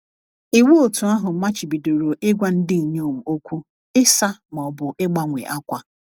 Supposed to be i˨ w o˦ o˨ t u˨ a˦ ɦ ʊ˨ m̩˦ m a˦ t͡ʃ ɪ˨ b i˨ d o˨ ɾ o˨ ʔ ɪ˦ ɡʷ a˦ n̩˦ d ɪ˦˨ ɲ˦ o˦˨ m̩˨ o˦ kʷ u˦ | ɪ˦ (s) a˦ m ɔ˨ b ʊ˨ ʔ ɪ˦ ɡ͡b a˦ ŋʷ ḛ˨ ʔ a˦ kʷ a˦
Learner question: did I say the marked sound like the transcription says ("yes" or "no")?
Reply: yes